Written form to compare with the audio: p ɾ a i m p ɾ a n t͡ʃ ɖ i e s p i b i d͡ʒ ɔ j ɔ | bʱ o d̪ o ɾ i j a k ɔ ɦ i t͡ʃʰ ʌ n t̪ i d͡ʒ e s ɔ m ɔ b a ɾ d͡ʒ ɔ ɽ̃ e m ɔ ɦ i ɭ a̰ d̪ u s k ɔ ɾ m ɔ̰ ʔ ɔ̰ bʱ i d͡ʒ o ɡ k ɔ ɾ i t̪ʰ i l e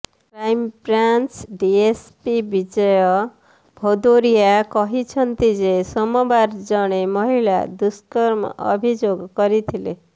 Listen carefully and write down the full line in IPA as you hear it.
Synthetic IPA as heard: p ɾ a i m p ɾ a n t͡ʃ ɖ i e s p i b i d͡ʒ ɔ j ɔ | bʱ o d̪ o ɾ i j a k ɔ ɦ i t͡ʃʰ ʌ n t̪ i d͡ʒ e s ɔ m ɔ b a ɾ d͡ʒ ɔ ɽ̃ e m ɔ ɦ i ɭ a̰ d̪ u s k ɔ ɾ m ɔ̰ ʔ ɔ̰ bʱ i d͡ʒ o ɡ k ɔ ɾ i t̪ʰ i l e

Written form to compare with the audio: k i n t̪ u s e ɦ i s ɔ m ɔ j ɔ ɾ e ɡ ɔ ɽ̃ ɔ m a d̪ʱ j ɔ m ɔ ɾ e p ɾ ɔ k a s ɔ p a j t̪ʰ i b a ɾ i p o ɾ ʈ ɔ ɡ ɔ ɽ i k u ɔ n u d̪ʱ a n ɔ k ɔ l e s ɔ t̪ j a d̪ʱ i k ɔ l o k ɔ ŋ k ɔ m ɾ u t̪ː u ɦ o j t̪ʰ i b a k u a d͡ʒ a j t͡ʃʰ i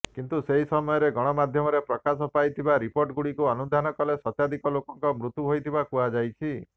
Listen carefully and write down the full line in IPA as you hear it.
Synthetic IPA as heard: k i n t̪ u s e ɦ i s ɔ m ɔ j ɔ ɾ e ɡ ɔ ɽ̃ ɔ m a d̪ʱ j ɔ m ɔ ɾ e p ɾ ɔ k a s ɔ p a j t̪ʰ i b a ɾ i p o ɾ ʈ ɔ ɡ u ɽ i k u ɔ n u d̪ʱ a n ɔ k ɔ l e s ɔ t̪ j a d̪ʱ i k ɔ l o k ɔ ŋ k ɔ m ɾ u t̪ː u ɦ o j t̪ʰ i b a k u a d͡ʒ a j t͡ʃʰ i

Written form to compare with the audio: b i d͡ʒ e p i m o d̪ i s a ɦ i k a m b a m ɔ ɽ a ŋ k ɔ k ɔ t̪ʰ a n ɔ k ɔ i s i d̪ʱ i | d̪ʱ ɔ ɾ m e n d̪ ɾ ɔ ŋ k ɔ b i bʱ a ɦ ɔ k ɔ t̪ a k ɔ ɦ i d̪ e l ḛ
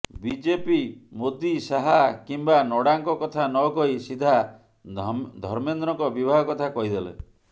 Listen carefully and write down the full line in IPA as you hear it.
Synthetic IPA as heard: b i d͡ʒ e p i m o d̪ i s a ɦ a k i m b a n ɔ ɽ a ŋ k ɔ k ɔ t̪ʰ a n ɔ k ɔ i s i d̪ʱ a | d̪ʱ ɔ ɾ m e n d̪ ɾ ɔ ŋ k ɔ b i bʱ a ɦ ɔ k ɔ t̪ʰ a k ɔ ɦ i d̪ e l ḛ

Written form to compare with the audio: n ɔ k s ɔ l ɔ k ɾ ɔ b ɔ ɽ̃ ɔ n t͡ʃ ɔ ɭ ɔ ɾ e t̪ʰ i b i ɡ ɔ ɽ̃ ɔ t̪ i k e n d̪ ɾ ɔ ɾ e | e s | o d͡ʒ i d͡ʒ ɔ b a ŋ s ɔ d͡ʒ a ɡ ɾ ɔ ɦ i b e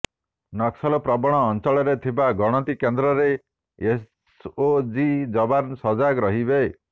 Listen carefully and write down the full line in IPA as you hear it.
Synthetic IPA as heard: n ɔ k s ɔ l ɔ p ɾ ɔ b ɔ ɽ̃ ɔː n t͡ʃ ɔ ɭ ɔ ɾ e t̪ʰ i b a ɡ ɔ ɽ̃ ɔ t̪ i k e n d̪ ɾ ɔ ɾ e | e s | o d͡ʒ i d͡ʒ ɔ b a n s ɔ d͡ʒ a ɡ ɾ ɔ ɦ i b e

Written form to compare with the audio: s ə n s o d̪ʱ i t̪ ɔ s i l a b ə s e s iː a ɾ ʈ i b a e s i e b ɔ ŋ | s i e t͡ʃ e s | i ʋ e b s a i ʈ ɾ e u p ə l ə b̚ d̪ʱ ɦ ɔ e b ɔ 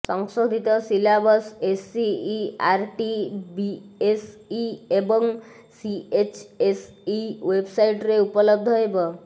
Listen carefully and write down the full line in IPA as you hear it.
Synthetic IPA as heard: s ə ŋ s o d̪ʱ i t̪ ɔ s i l a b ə s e s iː a ɾ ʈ i b i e s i e b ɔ ŋ | s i e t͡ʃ e s | i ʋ e b s a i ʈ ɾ e u p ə l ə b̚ d̪ʱ ɦ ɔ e b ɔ

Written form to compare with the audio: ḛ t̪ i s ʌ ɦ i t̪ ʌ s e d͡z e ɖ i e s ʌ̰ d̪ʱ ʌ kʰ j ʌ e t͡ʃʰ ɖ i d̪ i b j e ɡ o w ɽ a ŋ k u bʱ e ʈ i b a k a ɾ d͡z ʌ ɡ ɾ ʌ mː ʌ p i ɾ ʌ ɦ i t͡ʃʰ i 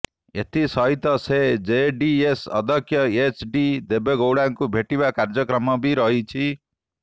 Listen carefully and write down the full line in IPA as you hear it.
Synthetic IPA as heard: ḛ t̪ i s ʌ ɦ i t̪ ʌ s e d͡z e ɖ i e s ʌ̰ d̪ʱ ʌ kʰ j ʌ e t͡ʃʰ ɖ i d̪ e b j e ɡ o w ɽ a ŋ k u bʱ e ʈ i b a k a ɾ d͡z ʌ k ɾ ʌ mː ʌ b i ɾ ʌ ɦ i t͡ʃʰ i

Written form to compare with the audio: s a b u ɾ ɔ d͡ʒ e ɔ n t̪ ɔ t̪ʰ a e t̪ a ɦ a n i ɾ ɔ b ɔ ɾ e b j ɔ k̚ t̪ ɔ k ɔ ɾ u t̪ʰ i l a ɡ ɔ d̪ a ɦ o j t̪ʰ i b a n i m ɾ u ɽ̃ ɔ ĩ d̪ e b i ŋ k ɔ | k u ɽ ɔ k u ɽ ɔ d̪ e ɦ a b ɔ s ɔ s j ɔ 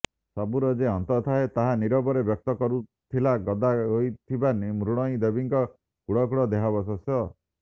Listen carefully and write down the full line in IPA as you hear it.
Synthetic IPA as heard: s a b u ɾ ɔ d͡ʒ e ɔ n t̪ ɔ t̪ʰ a e t̪ a ɦ a n i ɾ ɔ b ɔ ɾ e b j ɔ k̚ t̪ ɔ k ɔ ɾ u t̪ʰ i l a ɡ ɔ d̪ a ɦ o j t̪ʰ i b a n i m ɾ u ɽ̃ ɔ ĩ d̪ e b i ŋ k ɔ | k u ɽ ɔ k u ɽ ɔ d̪ e ɦ a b ɔ s ɔ s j ɔ

